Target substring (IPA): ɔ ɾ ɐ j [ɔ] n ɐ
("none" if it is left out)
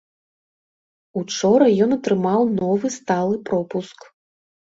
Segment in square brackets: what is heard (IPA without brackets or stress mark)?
ɔ